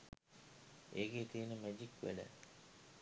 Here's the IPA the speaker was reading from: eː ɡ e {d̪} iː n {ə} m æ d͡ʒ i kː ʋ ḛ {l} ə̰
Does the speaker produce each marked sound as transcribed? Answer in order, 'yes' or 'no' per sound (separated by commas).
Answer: no, yes, yes